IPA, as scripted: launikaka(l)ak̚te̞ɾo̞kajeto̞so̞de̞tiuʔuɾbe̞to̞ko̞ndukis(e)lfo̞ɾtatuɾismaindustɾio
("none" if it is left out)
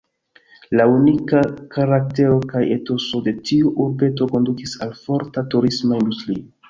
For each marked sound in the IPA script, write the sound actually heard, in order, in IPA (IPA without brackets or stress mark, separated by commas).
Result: ɾ, a